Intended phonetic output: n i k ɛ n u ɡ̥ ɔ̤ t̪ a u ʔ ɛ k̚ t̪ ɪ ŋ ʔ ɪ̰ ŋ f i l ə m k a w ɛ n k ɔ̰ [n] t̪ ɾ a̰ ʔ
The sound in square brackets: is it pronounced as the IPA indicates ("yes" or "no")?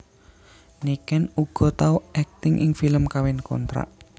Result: yes